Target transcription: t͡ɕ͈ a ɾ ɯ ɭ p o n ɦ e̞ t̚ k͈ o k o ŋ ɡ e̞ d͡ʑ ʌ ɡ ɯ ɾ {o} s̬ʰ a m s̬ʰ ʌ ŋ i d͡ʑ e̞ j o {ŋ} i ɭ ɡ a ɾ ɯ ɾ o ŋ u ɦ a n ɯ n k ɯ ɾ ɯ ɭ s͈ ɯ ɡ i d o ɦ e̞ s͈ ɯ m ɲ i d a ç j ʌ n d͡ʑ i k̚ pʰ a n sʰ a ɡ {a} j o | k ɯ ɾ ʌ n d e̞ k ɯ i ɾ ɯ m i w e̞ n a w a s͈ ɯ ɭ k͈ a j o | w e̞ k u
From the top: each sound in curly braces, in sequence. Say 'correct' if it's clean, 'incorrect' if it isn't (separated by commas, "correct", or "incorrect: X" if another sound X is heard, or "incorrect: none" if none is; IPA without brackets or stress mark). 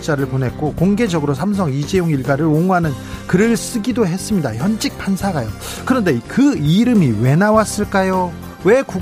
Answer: correct, correct, correct